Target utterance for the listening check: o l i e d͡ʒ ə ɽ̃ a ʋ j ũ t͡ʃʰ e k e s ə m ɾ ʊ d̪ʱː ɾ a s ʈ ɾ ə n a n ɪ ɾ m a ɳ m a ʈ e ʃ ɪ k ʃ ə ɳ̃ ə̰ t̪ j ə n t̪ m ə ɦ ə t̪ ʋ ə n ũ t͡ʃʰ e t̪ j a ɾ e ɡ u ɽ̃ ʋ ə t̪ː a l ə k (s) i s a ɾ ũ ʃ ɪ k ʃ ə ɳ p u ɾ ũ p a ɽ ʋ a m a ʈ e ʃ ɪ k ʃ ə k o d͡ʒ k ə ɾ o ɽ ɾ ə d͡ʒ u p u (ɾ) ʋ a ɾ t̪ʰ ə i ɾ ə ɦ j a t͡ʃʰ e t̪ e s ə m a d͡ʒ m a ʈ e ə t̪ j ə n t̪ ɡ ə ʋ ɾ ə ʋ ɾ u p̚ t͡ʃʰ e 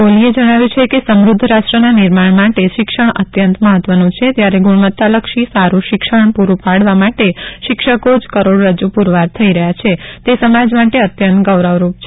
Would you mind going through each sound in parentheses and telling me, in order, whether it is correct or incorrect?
incorrect: ʃ, correct

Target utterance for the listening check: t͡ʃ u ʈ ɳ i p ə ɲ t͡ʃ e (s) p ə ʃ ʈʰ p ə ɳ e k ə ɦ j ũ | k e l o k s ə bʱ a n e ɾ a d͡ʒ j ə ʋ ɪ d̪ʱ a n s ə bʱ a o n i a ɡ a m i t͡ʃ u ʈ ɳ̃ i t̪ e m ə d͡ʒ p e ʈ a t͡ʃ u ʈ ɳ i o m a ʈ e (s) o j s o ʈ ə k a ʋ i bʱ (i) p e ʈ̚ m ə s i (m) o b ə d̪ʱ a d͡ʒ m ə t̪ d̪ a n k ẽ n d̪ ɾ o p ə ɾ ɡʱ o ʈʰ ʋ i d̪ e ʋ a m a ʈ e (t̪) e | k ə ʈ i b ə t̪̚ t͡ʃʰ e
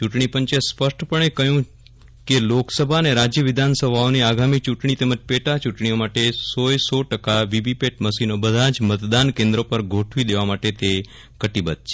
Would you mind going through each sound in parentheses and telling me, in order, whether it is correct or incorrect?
correct, correct, correct, incorrect: n, correct

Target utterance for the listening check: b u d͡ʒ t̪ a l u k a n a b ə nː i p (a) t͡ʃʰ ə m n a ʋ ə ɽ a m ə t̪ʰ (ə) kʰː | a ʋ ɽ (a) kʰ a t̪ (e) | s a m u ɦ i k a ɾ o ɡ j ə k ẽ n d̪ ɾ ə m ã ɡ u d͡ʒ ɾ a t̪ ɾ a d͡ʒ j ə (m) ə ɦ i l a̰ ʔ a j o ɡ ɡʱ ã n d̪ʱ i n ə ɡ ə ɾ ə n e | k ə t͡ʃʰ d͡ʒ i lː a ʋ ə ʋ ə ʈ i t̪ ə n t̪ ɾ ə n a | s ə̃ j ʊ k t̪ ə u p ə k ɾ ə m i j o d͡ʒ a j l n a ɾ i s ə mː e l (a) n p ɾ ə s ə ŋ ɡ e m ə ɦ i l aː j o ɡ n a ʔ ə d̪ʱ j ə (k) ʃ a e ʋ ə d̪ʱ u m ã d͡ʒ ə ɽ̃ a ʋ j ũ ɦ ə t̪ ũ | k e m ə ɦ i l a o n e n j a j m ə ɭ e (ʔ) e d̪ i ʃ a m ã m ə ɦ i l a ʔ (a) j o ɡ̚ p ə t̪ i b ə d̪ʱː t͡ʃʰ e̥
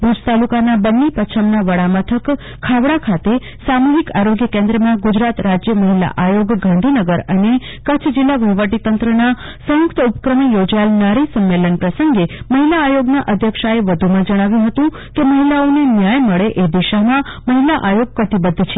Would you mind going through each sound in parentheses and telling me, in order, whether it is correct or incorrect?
incorrect: ə, correct, correct, correct, correct, incorrect: ə, correct, correct, correct

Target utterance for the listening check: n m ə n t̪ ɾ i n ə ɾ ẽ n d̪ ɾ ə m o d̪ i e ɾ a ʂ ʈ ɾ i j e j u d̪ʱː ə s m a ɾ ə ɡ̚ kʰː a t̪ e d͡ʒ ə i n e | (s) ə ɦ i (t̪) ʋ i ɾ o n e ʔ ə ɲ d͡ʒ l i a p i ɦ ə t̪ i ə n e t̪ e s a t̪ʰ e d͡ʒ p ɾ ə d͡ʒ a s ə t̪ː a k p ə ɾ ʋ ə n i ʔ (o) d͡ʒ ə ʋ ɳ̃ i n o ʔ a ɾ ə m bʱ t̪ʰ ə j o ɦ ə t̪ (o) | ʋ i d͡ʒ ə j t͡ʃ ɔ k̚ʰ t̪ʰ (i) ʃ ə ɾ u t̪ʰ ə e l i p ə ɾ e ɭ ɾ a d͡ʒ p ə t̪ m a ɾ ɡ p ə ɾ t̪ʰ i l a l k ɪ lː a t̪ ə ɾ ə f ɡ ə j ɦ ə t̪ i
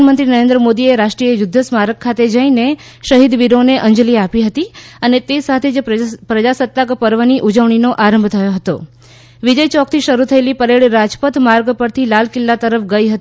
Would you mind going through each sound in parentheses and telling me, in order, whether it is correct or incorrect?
incorrect: ʃ, incorrect: d̪, incorrect: u, correct, correct

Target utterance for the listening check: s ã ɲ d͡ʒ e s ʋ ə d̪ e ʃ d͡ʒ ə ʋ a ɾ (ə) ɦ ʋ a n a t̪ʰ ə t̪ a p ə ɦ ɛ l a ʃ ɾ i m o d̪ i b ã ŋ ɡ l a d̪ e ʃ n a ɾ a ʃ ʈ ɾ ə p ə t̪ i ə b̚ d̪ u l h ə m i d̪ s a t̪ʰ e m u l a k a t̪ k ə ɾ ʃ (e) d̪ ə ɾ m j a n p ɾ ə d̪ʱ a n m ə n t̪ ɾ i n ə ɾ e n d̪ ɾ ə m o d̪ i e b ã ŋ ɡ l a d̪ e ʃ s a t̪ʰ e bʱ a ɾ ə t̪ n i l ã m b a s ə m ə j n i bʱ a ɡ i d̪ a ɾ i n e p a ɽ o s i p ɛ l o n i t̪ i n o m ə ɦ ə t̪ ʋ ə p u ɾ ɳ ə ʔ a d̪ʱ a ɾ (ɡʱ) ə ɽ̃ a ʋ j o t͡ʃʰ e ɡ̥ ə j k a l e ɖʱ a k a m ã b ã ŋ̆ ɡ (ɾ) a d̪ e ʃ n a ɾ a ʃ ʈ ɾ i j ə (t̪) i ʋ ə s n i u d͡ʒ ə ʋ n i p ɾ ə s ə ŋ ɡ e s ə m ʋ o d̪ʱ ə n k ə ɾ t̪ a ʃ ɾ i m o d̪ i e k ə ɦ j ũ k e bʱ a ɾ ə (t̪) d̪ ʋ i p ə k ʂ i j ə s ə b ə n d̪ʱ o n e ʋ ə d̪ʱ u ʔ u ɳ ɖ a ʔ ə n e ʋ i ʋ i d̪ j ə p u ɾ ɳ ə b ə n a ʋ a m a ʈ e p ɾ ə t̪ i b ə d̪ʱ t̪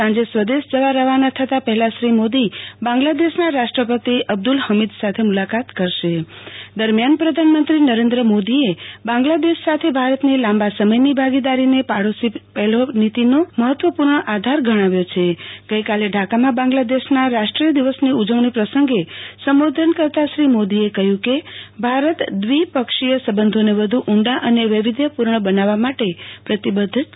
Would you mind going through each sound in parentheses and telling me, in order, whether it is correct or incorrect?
correct, correct, correct, incorrect: l, incorrect: d̪, correct

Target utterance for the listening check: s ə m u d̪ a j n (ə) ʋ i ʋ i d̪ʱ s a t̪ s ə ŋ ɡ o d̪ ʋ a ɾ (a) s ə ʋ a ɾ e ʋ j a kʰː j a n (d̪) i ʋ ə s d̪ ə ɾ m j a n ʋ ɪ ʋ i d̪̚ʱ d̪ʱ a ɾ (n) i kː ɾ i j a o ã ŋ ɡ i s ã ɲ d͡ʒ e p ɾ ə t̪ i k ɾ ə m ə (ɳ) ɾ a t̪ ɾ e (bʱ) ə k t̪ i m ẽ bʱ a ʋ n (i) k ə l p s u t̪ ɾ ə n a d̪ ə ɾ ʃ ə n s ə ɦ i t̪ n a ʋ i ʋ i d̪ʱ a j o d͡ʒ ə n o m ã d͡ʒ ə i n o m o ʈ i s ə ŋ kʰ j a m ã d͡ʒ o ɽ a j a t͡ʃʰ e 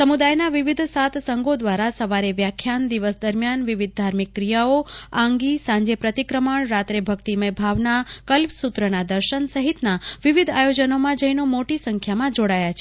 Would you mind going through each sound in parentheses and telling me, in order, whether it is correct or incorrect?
incorrect: a, correct, correct, incorrect: m, correct, correct, incorrect: a

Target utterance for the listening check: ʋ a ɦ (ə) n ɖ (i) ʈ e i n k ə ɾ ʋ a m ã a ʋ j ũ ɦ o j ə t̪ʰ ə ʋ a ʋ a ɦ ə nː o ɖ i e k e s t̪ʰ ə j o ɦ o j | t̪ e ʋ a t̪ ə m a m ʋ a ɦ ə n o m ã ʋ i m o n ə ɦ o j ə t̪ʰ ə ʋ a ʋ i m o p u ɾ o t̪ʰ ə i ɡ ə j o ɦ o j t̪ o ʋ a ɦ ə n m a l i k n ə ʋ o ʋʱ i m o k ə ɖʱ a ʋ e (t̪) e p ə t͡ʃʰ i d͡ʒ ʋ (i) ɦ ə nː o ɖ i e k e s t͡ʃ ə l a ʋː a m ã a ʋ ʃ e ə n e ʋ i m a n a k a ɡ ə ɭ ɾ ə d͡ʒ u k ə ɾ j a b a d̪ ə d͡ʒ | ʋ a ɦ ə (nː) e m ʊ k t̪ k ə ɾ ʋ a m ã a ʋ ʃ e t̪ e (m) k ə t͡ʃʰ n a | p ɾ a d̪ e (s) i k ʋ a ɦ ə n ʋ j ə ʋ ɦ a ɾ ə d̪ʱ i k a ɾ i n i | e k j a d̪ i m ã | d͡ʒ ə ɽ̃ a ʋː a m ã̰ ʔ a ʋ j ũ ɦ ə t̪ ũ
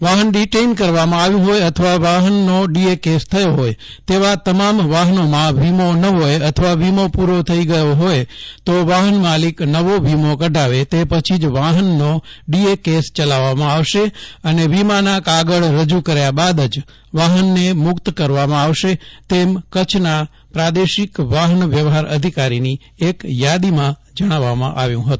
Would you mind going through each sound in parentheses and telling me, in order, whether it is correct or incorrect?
correct, correct, correct, incorrect: a, correct, correct, incorrect: ʃ

